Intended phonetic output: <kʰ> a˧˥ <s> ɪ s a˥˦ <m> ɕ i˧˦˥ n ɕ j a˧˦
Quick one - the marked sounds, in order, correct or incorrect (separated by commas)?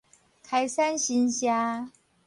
correct, incorrect, incorrect